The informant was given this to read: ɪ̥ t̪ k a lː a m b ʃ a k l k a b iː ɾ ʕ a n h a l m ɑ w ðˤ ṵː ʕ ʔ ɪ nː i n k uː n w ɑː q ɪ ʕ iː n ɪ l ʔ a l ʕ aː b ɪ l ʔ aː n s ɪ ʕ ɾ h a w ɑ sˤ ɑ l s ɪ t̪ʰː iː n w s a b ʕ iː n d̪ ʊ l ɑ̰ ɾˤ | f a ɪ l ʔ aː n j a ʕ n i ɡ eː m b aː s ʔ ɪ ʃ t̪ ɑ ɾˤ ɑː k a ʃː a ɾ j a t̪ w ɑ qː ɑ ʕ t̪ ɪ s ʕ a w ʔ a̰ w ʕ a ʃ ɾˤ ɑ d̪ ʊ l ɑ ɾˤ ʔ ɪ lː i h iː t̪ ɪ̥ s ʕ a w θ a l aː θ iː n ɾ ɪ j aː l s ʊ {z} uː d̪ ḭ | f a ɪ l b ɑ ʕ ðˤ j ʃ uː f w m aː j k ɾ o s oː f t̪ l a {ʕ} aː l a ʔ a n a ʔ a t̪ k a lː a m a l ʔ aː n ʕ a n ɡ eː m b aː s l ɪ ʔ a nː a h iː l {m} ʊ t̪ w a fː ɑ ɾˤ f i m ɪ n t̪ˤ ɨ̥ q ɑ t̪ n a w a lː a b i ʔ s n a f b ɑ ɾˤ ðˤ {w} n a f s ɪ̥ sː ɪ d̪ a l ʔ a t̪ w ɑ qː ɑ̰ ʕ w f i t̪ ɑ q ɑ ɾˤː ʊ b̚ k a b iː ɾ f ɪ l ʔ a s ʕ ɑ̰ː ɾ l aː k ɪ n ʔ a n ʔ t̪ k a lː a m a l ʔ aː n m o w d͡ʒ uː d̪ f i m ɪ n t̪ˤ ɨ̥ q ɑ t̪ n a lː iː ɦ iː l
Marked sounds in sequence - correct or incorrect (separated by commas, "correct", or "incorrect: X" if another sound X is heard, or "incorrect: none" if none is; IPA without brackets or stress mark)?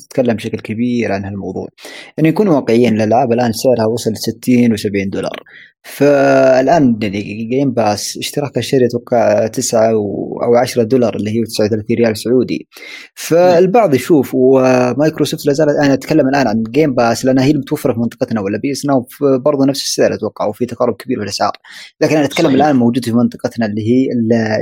incorrect: ʕ, incorrect: z, correct, incorrect: u